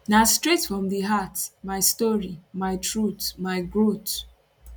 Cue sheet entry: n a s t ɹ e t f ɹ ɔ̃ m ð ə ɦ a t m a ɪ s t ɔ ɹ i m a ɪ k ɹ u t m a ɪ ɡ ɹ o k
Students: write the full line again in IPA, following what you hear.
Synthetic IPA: n a s t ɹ e t f ɹ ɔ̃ m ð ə ɦ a t m a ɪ s t ɔ ɹ i m a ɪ t ɹ u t m a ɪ ɡ ɹ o t